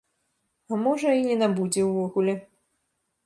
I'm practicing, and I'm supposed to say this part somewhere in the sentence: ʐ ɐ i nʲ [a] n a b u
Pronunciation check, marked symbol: incorrect: ɛ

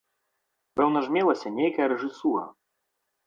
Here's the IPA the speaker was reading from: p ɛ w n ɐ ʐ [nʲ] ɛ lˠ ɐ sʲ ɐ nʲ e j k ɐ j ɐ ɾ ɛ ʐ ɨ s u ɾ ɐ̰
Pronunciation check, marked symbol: incorrect: mʲ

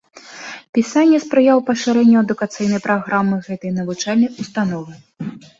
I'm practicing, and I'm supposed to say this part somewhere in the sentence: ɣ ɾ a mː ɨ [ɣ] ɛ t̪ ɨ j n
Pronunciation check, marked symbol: correct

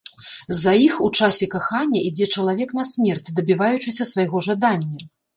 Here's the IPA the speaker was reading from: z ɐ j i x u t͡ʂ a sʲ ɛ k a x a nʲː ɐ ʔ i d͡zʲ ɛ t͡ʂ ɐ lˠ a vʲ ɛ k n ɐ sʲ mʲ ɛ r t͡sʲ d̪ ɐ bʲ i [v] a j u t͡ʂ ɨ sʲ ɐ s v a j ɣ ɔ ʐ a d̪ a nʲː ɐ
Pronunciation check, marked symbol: correct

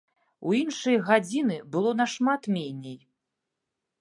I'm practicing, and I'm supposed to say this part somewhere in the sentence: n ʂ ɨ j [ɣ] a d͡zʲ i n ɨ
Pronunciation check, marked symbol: correct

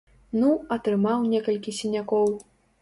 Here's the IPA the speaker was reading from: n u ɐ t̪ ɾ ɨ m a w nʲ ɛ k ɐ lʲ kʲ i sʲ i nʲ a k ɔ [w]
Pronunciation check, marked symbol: correct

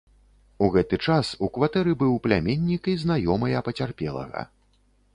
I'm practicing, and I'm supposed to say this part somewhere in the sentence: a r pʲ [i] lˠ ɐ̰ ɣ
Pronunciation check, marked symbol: incorrect: ɛ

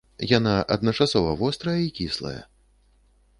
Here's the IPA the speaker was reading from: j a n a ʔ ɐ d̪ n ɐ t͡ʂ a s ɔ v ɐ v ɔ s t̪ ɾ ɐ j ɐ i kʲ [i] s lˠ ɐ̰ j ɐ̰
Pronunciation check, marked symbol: correct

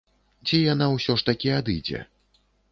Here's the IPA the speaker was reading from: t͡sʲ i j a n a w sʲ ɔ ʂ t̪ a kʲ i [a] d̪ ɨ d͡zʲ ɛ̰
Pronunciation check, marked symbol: correct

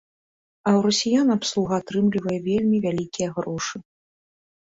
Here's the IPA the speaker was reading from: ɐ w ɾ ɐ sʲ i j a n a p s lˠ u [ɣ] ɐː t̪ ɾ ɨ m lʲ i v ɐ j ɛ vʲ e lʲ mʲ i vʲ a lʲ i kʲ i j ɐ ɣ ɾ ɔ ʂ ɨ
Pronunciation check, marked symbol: correct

